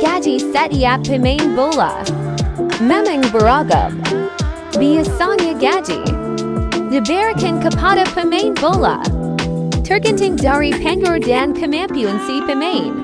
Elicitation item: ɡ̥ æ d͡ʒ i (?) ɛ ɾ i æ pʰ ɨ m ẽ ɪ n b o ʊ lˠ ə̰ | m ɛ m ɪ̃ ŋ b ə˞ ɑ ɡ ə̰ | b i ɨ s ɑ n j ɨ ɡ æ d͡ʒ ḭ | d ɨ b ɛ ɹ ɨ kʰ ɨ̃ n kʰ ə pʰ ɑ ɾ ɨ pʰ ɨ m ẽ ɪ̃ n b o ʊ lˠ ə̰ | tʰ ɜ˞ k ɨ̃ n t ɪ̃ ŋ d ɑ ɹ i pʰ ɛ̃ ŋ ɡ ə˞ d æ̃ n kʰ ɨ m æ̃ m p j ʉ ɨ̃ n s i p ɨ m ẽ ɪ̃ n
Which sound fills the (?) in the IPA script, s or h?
s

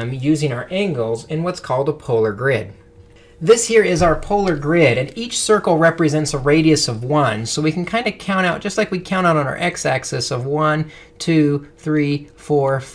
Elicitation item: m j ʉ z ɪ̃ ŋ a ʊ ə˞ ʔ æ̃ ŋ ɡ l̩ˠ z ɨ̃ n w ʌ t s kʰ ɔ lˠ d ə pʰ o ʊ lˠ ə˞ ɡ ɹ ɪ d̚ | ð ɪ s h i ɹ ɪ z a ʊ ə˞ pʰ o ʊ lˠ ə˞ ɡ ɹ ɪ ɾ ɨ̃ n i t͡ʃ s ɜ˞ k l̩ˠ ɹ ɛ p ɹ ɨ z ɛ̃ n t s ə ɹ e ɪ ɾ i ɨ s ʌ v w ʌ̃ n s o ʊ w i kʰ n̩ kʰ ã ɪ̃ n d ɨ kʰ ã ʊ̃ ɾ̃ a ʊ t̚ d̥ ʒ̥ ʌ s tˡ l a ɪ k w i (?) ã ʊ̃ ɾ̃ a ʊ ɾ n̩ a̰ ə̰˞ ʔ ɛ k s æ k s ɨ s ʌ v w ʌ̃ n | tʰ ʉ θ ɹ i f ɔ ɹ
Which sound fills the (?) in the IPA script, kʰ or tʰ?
kʰ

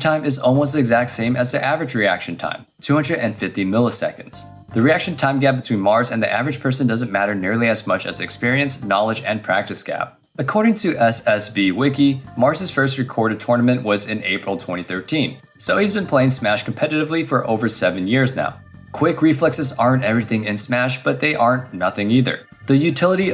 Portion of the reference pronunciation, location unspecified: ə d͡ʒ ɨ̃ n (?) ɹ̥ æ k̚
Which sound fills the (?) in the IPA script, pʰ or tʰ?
pʰ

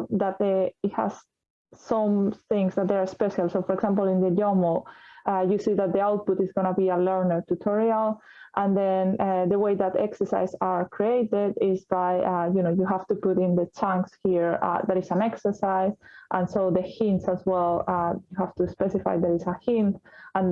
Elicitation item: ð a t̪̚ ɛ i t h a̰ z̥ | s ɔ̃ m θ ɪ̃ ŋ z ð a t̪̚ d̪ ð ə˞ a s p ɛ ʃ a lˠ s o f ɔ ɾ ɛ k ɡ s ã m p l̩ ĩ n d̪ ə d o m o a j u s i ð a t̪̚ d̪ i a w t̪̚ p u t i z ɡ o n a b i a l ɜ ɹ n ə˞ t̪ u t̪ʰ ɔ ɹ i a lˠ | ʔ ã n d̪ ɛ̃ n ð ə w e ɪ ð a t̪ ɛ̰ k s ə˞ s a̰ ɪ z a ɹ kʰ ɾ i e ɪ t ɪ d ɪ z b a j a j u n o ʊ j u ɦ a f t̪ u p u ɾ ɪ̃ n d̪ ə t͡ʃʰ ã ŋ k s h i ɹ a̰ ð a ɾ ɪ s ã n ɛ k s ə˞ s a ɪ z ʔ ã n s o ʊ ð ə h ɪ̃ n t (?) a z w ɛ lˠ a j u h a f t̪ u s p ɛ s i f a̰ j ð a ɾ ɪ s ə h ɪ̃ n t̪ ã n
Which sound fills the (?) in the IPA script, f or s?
s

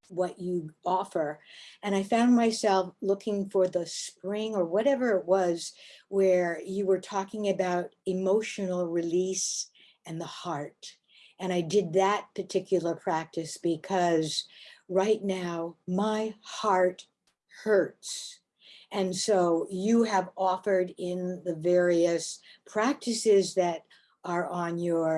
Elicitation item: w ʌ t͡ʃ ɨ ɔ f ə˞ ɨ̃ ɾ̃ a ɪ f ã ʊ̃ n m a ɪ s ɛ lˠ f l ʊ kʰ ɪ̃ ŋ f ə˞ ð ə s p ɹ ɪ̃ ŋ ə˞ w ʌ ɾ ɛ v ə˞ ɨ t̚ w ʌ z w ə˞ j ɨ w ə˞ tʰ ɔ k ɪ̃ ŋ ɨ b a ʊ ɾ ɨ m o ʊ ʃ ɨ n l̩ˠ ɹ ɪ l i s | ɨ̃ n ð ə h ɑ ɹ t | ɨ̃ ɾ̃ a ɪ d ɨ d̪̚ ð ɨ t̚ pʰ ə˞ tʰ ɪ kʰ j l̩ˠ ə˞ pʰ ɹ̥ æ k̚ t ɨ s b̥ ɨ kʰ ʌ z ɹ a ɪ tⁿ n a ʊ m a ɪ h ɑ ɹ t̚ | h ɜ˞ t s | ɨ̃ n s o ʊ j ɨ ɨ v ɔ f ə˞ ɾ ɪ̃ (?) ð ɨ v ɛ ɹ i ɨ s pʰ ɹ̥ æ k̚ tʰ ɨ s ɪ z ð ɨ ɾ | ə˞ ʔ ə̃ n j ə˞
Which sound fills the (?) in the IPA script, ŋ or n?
n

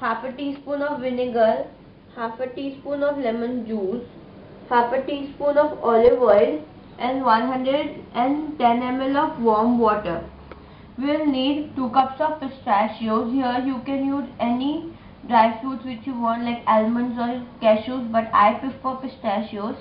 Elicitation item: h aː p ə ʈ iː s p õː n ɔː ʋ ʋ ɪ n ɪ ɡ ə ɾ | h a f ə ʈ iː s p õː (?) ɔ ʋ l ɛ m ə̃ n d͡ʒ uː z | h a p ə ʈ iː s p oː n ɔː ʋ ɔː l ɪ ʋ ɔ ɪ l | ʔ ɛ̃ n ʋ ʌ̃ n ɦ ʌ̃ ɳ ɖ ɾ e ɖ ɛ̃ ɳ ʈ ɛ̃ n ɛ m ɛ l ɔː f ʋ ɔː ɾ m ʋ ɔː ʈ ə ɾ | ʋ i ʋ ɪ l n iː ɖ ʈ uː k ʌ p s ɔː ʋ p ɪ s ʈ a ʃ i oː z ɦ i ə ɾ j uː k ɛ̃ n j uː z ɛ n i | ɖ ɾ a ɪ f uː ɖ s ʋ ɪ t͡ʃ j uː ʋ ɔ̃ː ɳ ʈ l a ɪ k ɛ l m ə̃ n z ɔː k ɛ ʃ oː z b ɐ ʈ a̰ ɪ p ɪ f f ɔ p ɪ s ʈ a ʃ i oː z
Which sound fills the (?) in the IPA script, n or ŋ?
n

